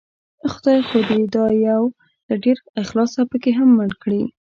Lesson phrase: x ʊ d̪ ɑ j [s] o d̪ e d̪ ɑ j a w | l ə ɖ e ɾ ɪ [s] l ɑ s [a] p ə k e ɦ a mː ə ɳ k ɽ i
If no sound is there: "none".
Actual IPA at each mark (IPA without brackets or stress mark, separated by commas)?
x, x, a